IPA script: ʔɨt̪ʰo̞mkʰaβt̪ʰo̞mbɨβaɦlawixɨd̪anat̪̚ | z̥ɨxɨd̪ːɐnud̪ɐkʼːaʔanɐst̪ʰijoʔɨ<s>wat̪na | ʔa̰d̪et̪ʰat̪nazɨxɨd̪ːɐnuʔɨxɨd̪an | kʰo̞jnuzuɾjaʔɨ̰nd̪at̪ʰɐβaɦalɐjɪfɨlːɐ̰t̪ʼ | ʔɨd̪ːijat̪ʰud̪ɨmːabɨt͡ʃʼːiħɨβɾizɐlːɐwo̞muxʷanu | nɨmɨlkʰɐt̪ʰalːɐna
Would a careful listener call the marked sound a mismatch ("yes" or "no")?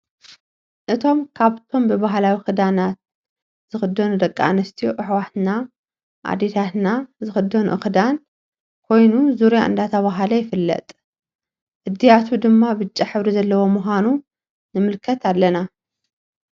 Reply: yes